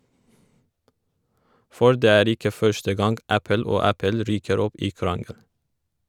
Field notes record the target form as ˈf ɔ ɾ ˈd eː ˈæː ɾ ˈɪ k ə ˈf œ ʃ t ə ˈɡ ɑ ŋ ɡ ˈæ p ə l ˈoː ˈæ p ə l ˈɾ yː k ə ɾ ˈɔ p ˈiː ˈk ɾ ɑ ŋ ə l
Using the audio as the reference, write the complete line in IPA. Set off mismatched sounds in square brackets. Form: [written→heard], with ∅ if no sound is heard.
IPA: ˈf ɔ ɾ ˈd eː ˈæː ɾ ˈɪ k ə ˈf œ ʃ t ə ˈɡ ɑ ŋ ɡ ˈæ p ə l ˈoː ˈæ p ə l ˈɾ yː k ə ɾ ˈɔ p ˈiː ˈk ɾ ɑ ŋ ə l